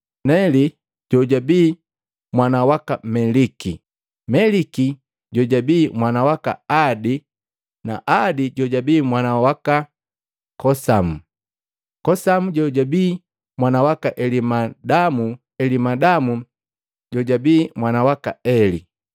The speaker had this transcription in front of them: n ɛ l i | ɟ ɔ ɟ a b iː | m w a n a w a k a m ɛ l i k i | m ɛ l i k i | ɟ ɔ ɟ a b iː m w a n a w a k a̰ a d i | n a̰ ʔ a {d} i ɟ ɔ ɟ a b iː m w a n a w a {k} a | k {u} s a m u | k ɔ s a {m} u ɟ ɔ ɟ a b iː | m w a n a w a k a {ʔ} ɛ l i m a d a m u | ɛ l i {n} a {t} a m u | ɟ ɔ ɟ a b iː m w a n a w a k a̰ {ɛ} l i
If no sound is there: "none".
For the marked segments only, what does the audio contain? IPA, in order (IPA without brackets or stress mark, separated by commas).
d, k, ɔ, m, ʔ, m, d, ɛ